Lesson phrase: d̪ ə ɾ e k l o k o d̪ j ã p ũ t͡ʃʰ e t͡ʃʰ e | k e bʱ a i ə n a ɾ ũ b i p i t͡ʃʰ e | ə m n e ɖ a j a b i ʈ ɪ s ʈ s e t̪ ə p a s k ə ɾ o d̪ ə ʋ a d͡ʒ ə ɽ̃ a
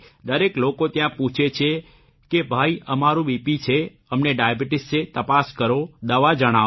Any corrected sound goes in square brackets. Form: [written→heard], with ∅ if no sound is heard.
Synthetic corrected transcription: d̪ ə ɾ e k l o k o [d̪→t̪] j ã p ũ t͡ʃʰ e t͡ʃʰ e | k e bʱ a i ə [n→m] a ɾ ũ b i p i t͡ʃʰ e | ə m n e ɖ a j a b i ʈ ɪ s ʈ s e t̪ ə p a s k ə ɾ o d̪ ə ʋ a d͡ʒ ə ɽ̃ a